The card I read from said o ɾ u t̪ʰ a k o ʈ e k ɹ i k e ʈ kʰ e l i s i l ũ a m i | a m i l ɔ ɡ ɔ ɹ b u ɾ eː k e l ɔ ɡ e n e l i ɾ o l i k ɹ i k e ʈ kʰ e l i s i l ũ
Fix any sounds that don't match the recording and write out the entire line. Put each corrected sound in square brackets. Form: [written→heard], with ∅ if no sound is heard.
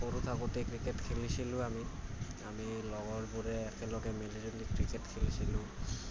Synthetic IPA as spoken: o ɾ u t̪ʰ a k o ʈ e k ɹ i k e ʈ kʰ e l i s i l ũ a m i | a m i l ɔ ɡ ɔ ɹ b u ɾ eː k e l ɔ ɡ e [n→m] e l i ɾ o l i k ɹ i k e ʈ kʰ e l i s i l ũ